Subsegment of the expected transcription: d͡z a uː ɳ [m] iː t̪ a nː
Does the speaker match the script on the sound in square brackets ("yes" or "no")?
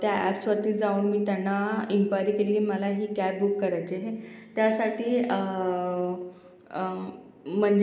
yes